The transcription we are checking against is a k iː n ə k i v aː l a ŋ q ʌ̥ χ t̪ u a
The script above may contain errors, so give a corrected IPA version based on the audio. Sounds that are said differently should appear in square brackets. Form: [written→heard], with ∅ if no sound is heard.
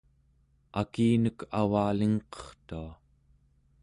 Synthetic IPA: a k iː n ə k [i→a] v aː l [a→i] ŋ q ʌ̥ χ t̪ u a